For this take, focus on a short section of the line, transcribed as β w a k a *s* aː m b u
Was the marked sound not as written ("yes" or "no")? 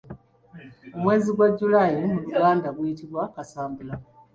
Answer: no